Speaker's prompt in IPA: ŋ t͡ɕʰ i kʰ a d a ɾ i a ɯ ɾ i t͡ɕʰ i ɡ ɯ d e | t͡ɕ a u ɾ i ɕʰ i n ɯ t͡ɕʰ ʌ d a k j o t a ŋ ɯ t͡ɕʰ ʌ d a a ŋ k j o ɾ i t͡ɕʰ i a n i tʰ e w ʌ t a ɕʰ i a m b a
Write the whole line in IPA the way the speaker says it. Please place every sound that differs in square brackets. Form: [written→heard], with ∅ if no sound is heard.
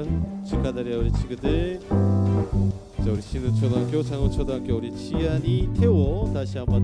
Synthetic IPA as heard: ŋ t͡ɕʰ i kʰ a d a ɾ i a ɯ ɾ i t͡ɕʰ i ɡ ɯ d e | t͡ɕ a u ɾ i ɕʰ i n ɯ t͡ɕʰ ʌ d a k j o [t→t͡ɕ] a ŋ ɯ t͡ɕʰ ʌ d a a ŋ k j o ɾ i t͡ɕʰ i a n i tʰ e w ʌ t a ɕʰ i a m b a

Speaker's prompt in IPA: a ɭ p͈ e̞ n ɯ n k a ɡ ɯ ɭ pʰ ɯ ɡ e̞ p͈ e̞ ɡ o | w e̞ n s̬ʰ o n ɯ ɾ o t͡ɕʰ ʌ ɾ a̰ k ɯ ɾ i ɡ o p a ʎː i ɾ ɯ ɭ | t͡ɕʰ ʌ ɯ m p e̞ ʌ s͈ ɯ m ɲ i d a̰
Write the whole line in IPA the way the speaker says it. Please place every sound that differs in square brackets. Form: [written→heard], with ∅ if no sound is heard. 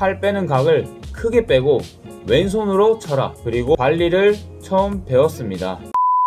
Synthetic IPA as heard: a ɭ p͈ e̞ n ɯ n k a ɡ ɯ ɭ [pʰ→kʰ] ɯ ɡ e̞ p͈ e̞ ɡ o | w e̞ n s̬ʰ o n ɯ ɾ o t͡ɕʰ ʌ ɾ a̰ k ɯ ɾ i ɡ o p a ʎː i ɾ ɯ ɭ | t͡ɕʰ ʌ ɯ m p e̞ ʌ s͈ ɯ m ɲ i d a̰

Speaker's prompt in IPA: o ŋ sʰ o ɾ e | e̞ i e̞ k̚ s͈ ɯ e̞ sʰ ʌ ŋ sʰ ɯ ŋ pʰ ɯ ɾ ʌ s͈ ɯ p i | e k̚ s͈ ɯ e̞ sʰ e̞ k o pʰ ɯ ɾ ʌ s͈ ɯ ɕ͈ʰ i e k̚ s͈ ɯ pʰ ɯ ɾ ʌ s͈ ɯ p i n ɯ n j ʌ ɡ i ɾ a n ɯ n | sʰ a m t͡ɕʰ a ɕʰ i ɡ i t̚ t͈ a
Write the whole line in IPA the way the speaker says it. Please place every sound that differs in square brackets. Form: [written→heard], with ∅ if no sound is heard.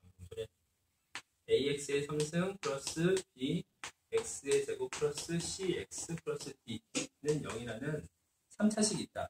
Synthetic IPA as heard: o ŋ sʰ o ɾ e | e̞ i e̞ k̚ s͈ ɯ e̞ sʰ ʌ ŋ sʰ ɯ ŋ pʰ ɯ ɾ ʌ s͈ ɯ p i | e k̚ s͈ ɯ e̞ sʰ e̞ [k→ɡ] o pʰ ɯ ɾ ʌ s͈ ɯ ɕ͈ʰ i e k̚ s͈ ɯ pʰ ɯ ɾ ʌ s͈ ɯ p i n ɯ n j ʌ [ɡ→ŋ] i ɾ a n ɯ n | sʰ a m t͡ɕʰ a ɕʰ i ɡ i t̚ t͈ a

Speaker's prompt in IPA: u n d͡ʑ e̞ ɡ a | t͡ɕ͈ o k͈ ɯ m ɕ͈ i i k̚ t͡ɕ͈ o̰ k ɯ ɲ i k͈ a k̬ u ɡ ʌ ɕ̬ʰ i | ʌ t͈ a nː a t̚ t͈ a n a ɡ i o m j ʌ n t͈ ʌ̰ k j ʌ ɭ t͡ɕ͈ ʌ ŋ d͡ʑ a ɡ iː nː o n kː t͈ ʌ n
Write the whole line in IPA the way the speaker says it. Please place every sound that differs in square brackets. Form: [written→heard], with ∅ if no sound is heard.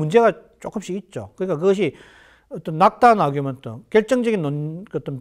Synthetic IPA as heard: u n d͡ʑ e̞ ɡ a | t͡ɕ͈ o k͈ ɯ m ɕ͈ i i [k̚→t̚] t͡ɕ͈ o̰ k ɯ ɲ i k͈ a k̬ [u→ɯ] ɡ ʌ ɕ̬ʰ i | ʌ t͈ [a→ʌ] nː a [t̚→k̚] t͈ a n a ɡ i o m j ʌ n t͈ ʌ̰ k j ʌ ɭ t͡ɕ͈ ʌ ŋ d͡ʑ [a→ʌ] ɡ [iː→i] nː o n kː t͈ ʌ n

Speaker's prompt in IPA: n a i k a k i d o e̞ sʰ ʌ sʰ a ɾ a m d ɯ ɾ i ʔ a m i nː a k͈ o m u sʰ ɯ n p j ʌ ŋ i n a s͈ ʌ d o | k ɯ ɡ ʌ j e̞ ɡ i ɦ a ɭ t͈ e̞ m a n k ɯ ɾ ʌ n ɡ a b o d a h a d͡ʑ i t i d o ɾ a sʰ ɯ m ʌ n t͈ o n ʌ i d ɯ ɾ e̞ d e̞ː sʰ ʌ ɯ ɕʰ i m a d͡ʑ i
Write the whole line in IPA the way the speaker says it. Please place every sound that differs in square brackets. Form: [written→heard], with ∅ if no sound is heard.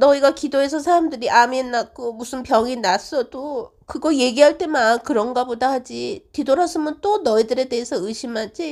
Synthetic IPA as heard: n [a→ʌ] i [k→ɡ] a k i d o e̞ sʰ ʌ sʰ a ɾ a m d ɯ ɾ i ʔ a m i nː a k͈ o m u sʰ ɯ n p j ʌ ŋ i n a s͈ ʌ d o | k ɯ ɡ ʌ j e̞ ɡ i ɦ a ɭ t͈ e̞ m a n k ɯ ɾ ʌ n ɡ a b o d a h a d͡ʑ i t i d o ɾ a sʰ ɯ m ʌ n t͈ o n ʌ i d ɯ ɾ e̞ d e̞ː sʰ ʌ ɯ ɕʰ i m a d͡ʑ i

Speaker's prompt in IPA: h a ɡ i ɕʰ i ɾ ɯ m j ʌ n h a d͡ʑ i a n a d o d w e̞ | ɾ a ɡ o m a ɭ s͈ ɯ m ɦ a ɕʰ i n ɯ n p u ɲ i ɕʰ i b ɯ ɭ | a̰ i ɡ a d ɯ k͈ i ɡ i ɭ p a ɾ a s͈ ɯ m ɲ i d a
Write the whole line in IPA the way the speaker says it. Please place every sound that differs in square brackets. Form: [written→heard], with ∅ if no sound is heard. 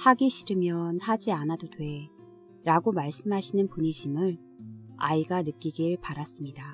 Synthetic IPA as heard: h a ɡ i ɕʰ i ɾ ɯ m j ʌ n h a d͡ʑ i a n a d o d w e̞ | ɾ a ɡ o m a ɭ s͈ ɯ m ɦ a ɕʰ i n ɯ n p u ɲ i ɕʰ i [b→m] ɯ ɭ | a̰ i ɡ a [d→n] ɯ k͈ i ɡ i ɭ p a ɾ a s͈ ɯ m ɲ i d a

